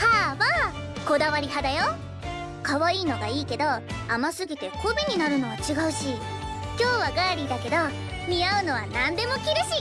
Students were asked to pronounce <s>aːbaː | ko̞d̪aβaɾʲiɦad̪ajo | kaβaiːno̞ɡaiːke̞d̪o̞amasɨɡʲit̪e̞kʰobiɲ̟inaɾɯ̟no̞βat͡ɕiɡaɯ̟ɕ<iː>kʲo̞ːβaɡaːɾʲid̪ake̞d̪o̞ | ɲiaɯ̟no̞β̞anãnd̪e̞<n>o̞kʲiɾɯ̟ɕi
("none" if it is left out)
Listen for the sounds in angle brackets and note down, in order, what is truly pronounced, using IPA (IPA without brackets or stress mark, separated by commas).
h, i, m